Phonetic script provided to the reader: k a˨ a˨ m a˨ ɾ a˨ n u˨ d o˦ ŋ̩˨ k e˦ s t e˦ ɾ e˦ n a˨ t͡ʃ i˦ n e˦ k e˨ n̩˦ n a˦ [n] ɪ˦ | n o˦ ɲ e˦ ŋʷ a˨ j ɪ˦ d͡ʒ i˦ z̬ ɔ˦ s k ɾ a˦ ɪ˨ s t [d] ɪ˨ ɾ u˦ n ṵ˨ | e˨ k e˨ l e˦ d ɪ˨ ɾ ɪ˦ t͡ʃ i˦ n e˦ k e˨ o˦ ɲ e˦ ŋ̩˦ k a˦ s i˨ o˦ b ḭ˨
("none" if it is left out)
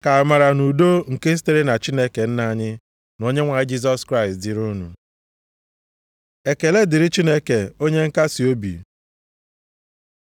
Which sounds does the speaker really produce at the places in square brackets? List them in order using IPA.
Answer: ɲ, d

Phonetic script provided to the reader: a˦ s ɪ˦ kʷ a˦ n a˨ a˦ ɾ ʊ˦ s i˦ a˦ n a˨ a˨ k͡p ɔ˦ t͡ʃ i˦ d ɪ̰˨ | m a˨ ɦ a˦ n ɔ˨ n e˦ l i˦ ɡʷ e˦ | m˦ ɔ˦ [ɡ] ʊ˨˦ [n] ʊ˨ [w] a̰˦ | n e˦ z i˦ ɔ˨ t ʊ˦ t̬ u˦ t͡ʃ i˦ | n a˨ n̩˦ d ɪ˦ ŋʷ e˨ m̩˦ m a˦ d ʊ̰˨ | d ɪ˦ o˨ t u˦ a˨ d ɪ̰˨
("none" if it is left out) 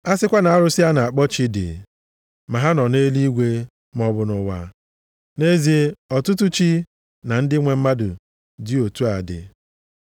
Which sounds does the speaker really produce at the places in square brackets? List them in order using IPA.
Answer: b, n, w

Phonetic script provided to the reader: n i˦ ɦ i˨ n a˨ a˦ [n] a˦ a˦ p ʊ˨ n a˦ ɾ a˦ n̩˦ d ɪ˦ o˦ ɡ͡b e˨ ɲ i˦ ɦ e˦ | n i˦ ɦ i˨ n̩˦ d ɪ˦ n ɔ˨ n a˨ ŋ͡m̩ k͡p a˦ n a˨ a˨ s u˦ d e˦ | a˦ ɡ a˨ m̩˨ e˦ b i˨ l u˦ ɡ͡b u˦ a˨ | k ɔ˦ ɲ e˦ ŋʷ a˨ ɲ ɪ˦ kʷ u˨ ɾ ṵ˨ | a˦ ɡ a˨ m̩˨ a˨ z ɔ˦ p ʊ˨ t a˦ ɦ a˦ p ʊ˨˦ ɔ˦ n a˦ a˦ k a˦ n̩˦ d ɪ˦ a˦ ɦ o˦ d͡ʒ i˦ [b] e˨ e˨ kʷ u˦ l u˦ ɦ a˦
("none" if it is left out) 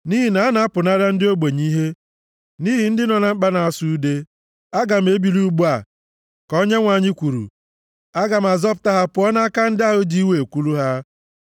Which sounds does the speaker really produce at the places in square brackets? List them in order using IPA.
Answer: n, w

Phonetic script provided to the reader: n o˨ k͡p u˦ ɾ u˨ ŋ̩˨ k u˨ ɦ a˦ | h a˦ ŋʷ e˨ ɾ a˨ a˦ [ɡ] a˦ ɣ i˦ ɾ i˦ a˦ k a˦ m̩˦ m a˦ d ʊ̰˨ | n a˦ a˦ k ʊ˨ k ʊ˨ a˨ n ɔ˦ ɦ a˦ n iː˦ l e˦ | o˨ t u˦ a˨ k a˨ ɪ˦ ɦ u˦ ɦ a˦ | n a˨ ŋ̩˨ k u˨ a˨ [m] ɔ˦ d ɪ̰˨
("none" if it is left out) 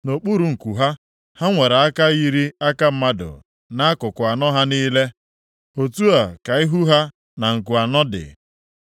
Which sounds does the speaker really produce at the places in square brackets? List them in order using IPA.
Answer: k, n

